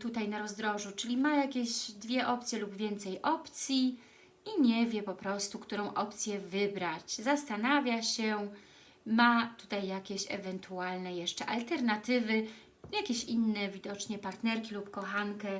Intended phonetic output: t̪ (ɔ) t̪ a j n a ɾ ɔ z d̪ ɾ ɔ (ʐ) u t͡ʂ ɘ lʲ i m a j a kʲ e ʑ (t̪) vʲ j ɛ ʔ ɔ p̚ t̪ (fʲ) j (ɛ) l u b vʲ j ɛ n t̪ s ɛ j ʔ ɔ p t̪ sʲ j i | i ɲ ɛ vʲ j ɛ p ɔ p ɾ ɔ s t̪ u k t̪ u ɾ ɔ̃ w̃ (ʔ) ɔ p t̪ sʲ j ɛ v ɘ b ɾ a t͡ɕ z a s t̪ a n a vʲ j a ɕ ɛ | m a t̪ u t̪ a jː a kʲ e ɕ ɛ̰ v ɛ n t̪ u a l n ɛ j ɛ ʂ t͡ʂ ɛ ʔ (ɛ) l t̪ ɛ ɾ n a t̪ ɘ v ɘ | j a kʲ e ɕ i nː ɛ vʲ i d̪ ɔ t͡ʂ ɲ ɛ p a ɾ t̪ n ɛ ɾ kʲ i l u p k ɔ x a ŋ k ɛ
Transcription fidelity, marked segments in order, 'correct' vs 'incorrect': incorrect, correct, incorrect, incorrect, correct, correct, incorrect

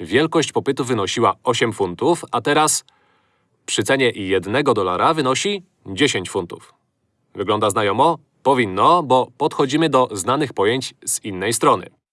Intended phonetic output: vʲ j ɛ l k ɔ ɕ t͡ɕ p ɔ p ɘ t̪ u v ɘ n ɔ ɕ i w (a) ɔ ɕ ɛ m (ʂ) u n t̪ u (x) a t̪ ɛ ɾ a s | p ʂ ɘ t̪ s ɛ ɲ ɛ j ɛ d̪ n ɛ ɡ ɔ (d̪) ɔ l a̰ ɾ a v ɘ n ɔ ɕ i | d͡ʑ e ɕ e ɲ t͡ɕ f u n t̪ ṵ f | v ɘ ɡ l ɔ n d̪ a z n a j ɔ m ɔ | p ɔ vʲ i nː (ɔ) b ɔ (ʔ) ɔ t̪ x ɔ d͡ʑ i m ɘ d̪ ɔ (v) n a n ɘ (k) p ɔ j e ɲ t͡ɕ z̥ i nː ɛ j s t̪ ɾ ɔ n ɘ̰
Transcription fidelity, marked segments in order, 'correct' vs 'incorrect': correct, incorrect, incorrect, correct, correct, incorrect, incorrect, incorrect

